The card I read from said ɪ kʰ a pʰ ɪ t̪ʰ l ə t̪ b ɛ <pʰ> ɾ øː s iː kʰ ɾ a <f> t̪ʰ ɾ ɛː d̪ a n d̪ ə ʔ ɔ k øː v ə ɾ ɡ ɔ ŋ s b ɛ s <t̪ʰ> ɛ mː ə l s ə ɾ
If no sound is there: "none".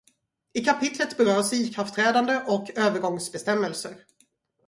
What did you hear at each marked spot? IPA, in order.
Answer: none, f, t̪

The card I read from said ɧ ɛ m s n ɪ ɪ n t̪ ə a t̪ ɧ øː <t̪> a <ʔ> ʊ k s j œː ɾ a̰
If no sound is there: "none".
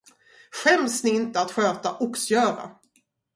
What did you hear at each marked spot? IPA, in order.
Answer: t̪, ʔ

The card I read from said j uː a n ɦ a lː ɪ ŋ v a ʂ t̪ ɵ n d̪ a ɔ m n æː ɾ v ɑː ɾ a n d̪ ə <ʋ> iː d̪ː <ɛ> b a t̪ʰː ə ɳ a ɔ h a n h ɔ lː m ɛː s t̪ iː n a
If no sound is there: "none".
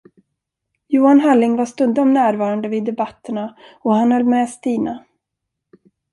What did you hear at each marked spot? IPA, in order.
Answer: v, ɛ

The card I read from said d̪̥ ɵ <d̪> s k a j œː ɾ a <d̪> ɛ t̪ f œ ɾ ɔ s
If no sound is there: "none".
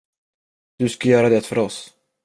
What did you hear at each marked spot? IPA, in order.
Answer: none, d̪

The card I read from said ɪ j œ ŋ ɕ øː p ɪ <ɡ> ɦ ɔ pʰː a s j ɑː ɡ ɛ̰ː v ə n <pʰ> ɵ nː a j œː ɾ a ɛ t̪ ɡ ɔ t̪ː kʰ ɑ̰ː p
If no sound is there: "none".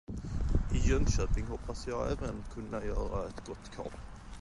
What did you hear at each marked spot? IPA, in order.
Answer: ŋ, kʰ

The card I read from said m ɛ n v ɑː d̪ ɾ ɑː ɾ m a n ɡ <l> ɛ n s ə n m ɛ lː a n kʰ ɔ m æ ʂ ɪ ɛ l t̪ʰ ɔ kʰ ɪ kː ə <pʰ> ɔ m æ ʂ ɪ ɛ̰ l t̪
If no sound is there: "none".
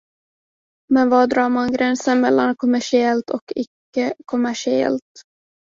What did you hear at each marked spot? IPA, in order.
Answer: ɾ, kʰ

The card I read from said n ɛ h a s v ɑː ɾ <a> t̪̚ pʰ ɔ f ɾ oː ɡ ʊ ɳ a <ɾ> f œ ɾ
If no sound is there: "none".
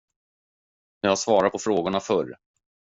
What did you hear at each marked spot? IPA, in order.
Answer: a, none

